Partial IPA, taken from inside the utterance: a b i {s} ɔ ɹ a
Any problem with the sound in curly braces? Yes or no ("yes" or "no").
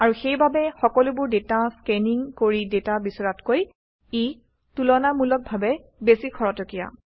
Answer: no